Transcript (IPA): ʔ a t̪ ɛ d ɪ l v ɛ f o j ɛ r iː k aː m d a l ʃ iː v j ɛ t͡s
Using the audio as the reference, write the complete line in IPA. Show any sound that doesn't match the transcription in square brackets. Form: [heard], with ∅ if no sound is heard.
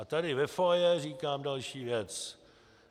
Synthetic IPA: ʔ a t̪ [a] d ɪ [∅] v ɛ f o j ɛ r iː k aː m d a l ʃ iː v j ɛ t͡s